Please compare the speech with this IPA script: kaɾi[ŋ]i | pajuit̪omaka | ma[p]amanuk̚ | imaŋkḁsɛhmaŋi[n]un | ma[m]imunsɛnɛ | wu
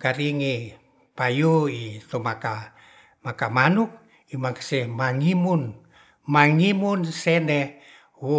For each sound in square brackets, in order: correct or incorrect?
correct, incorrect, incorrect, incorrect

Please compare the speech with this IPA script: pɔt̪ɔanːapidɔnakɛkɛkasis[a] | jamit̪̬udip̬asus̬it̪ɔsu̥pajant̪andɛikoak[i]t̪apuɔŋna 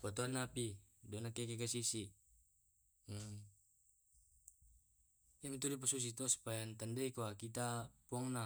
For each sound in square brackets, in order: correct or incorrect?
incorrect, correct

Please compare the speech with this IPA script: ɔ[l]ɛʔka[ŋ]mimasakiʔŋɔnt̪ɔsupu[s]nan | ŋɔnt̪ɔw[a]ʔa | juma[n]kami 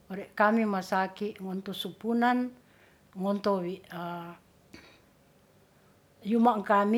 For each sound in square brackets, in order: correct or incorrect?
incorrect, incorrect, incorrect, incorrect, incorrect

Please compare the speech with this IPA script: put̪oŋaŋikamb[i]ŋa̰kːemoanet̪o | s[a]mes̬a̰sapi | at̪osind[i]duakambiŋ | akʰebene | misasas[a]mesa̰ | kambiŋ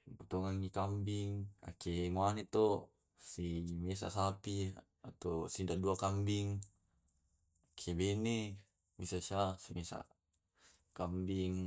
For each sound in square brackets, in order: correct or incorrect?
correct, incorrect, incorrect, incorrect

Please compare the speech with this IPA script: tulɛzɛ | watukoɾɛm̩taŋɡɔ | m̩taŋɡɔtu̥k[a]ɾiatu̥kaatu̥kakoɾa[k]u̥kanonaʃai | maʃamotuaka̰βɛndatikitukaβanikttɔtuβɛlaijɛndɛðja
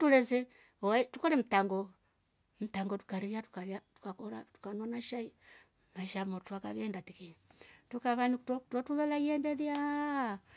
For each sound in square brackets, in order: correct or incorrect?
correct, incorrect

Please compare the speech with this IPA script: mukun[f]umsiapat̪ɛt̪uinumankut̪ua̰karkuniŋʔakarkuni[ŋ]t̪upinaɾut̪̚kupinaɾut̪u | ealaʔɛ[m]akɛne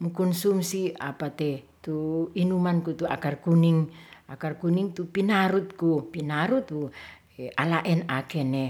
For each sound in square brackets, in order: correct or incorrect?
incorrect, correct, incorrect

